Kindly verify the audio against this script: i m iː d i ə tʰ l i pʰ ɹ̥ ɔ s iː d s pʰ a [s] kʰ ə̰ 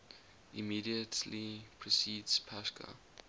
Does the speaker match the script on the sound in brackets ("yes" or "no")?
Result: yes